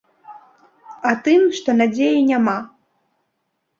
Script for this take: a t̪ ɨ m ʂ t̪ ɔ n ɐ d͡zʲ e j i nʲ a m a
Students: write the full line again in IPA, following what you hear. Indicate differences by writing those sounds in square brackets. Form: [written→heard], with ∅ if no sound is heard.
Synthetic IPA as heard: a t̪ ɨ m ʂ t̪ ɔ n [ɐ→a] d͡zʲ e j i nʲ a m a